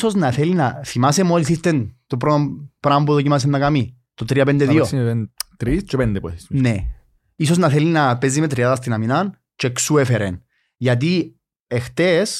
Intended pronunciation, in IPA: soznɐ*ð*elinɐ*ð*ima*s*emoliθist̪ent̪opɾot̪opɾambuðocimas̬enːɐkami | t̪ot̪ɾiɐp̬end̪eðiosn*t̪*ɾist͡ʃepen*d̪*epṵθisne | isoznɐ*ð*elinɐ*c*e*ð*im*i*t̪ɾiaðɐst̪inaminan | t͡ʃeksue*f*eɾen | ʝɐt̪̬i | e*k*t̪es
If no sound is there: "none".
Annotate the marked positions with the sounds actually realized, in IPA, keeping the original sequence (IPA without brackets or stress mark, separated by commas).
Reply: θ, θ, s, t̪, d̪, θ, p, z, e, f, x